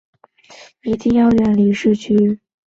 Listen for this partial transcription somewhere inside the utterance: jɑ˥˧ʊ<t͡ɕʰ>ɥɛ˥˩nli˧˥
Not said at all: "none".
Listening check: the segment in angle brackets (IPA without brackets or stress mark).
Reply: none